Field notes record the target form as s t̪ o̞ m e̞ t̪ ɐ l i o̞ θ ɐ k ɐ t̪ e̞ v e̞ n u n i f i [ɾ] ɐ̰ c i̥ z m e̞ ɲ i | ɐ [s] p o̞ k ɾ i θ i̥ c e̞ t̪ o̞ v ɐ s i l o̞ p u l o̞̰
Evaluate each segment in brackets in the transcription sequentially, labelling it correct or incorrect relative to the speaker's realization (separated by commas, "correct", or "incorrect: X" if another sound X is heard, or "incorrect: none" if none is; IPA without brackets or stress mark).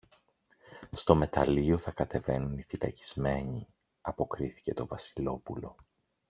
incorrect: l, incorrect: none